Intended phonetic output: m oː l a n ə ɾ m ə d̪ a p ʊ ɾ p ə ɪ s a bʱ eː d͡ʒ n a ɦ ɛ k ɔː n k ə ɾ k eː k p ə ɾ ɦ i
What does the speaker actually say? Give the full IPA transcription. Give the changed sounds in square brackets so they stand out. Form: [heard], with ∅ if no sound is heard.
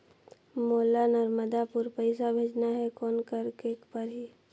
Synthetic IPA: m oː l a n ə ɾ m ə d̪ a p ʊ ɾ p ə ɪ s a bʱ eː d͡ʒ n a ɦ ɛ k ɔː n k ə ɾ k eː k p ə ɾ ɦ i